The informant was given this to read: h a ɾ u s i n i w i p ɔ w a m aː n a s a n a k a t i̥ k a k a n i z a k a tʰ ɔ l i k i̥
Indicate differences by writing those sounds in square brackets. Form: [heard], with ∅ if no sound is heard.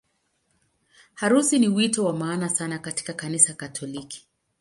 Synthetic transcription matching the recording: h a ɾ u s i n i w i [t] ɔ w a m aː n a s a n a k a t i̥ k a k a n i [s] a k a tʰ ɔ l i k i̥